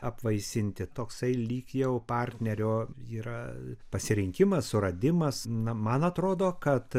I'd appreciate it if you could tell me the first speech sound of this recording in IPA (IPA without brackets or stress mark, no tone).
ɐ